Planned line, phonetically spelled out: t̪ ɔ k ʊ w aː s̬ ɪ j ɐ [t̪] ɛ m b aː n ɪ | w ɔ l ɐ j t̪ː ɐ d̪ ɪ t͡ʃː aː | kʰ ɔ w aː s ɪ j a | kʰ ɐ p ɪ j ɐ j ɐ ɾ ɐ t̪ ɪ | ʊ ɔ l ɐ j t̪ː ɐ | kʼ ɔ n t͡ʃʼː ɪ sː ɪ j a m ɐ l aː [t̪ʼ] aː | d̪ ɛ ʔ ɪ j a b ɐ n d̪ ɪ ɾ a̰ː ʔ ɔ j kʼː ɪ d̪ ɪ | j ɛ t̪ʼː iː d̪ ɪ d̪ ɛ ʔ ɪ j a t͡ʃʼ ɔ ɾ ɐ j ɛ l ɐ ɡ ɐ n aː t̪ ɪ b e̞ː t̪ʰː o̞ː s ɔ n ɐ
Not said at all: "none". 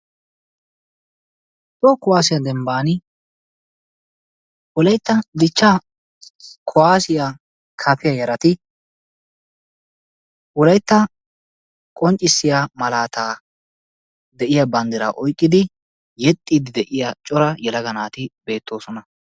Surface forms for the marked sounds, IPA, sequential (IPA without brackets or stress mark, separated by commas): d̪, t̪